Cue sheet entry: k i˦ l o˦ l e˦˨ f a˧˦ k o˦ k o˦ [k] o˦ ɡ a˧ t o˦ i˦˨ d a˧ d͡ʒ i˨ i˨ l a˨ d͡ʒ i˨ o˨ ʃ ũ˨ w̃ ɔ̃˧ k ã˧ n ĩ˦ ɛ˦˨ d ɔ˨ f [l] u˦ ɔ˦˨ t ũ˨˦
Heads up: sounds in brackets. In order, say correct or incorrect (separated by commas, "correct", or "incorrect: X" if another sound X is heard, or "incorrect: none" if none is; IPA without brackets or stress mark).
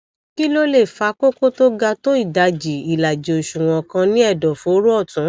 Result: incorrect: t, incorrect: ɾ